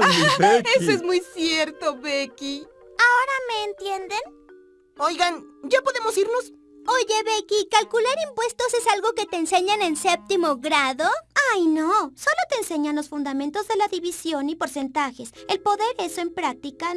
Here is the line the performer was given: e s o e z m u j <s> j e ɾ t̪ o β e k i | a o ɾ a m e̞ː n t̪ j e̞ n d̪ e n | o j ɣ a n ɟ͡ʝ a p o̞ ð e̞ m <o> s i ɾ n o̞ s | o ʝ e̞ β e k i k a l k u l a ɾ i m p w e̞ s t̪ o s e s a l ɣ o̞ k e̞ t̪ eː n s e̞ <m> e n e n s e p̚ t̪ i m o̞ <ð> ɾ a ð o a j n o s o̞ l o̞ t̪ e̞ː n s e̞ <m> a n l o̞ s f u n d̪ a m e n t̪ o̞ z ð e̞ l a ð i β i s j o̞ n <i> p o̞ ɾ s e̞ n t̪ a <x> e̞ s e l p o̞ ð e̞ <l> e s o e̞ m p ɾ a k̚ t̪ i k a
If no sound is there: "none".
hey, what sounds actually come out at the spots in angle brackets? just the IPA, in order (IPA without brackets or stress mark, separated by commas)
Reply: s, o, ɲ, ɣ, ɲ, i, x, ɾ